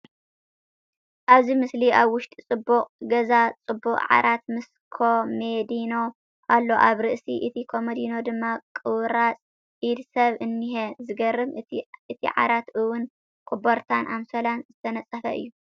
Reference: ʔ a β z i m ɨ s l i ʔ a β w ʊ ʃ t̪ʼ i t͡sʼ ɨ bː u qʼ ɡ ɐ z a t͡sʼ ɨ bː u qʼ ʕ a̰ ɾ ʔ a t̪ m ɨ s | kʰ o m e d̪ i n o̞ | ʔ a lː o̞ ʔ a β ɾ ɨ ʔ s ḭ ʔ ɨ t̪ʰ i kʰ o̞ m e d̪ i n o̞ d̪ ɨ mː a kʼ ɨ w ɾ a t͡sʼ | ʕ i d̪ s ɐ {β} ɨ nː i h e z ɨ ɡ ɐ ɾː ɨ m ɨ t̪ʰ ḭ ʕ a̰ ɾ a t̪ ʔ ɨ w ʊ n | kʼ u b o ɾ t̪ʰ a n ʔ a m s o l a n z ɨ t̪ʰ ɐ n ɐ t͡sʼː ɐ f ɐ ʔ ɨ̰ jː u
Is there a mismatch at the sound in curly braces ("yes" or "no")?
no